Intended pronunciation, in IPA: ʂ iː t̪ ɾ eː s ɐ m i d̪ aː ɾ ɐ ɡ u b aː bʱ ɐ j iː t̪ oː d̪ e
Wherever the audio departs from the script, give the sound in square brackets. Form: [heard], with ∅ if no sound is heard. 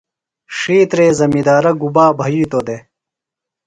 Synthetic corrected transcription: ʂ iː t̪ ɾ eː [z] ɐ m i d̪ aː ɾ ɐ ɡ u b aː bʱ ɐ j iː t̪ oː d̪ e